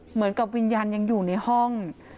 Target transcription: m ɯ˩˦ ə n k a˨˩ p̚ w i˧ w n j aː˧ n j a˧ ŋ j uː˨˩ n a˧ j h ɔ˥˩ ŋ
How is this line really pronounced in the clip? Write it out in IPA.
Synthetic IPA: m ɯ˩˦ ə n k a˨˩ p̚ w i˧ n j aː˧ n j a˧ ŋ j uː˨˩ n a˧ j h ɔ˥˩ ŋ